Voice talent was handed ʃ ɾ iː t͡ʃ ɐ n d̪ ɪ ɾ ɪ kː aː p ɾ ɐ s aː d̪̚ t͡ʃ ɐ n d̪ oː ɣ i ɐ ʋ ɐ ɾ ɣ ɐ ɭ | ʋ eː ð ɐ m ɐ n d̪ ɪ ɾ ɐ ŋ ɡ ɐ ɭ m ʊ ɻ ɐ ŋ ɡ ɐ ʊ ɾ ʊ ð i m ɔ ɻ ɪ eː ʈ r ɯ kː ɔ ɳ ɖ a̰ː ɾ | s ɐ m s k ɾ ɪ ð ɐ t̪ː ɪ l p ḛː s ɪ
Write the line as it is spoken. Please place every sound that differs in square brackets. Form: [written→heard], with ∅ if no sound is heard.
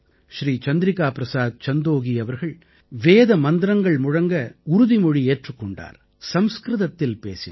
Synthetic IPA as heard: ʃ ɾ iː t͡ʃ ɐ n d̪ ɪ ɾ ɪ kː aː p ɾ ɐ s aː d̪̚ t͡ʃ ɐ n d̪ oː ɣ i ɐ ʋ ɐ ɾ ɣ ɐ ɭ | ʋ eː ð ɐ m ɐ n d̪ ɪ ɾ ɐ ŋ ɡ ɐ ɭ m ʊ ɻ ɐ ŋ ɡ ɐ ʊ ɾ ʊ ð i m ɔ ɻ [ɪ→i] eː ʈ r ɯ kː ɔ ɳ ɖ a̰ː ɾ | s ɐ m s k ɾ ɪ ð ɐ t̪ː ɪ l p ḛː s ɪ

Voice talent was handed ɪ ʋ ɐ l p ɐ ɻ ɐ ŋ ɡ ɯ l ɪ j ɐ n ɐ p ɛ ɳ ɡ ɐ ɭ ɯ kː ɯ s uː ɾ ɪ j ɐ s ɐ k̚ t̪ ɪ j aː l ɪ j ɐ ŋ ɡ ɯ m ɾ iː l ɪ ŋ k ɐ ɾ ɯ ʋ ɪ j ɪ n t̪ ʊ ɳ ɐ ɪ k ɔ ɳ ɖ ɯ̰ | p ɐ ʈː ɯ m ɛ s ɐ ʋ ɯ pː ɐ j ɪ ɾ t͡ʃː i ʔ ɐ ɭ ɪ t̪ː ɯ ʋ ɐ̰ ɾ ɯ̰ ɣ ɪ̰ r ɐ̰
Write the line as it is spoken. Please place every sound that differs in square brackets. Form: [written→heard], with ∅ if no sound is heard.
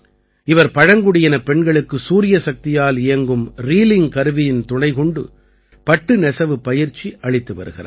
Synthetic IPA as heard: ɪ ʋ ɐ [l→ɾ] p ɐ ɻ ɐ ŋ ɡ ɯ [l→ɽ] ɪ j ɐ n ɐ p ɛ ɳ ɡ ɐ ɭ ɯ kː ɯ s uː ɾ ɪ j ɐ s ɐ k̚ t̪ ɪ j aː l ɪ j ɐ ŋ ɡ ɯ m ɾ iː l ɪ ŋ k ɐ ɾ ɯ ʋ ɪ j ɪ n t̪ ʊ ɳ ɐ ɪ k ɔ ɳ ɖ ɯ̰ | p ɐ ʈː ɯ [m→n] ɛ s ɐ ʋ ɯ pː ɐ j ɪ ɾ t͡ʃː i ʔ ɐ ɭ ɪ t̪ː ɯ ʋ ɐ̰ ɾ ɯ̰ ɣ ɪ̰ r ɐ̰

